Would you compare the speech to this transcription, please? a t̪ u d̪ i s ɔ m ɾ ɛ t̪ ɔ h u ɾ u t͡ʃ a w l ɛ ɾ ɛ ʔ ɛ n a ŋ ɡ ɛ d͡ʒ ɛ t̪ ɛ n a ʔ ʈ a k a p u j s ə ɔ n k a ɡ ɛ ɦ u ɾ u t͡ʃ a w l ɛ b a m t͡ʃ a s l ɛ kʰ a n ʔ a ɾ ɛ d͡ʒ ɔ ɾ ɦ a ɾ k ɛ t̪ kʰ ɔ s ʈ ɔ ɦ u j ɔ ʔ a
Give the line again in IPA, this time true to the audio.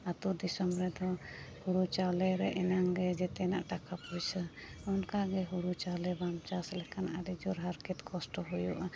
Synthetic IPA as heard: a t̪ u d̪ i s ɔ m ɾ ɛ d̪ ɔ h u ɾ u t͡ʃ a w l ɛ ɾ ɛ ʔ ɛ n a ŋ ɡ ɛ d͡ʒ ɛ t̪ ɛ n a ʔ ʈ a k a p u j s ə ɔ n k a ɡ ɛ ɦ u ɾ u t͡ʃ a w l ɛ b a m t͡ʃ a s l ɛ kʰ a n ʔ a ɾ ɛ d͡ʒ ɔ ɾ ɦ a ɾ k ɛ t̪ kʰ ɔ s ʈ ɔ ɦ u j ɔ ʔ a